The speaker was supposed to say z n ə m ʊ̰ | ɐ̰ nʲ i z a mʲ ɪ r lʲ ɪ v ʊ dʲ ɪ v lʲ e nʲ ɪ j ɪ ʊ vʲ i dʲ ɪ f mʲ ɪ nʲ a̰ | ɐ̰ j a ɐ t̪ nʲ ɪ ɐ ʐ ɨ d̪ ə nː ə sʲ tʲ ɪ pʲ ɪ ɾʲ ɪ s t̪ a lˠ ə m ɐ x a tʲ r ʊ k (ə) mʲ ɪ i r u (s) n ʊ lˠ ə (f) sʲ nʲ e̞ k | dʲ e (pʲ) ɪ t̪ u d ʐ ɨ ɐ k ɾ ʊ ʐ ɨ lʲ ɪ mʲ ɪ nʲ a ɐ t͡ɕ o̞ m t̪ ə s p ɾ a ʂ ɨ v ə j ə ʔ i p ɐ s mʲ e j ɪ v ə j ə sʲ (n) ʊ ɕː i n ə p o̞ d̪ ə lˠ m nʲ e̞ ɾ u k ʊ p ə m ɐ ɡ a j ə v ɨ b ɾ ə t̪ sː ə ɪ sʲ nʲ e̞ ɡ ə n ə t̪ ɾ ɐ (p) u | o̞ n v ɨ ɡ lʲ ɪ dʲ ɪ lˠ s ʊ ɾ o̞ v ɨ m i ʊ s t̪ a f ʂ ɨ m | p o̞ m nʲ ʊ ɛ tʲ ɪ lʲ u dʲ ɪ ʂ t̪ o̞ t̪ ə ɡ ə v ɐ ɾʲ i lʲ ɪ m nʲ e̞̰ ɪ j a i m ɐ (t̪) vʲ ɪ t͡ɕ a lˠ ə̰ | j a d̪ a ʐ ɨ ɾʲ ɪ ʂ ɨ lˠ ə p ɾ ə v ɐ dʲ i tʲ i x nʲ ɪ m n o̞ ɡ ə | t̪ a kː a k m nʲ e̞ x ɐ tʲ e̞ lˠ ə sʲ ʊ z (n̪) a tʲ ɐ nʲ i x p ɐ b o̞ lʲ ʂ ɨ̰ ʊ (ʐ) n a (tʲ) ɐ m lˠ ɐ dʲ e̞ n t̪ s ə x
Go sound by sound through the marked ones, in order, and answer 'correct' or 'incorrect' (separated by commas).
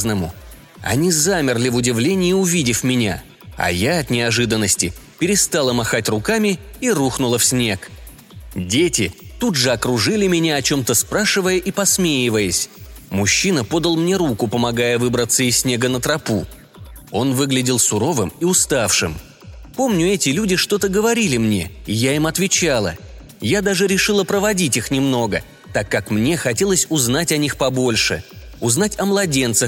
incorrect, incorrect, correct, incorrect, incorrect, correct, correct, correct, incorrect, correct